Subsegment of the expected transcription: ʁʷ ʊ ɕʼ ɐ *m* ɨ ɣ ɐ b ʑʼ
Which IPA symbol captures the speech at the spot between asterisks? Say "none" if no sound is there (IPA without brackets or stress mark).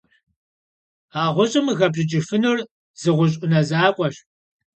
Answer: m